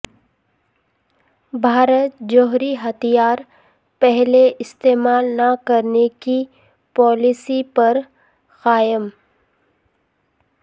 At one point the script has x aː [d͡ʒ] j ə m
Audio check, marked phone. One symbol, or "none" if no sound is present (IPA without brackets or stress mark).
none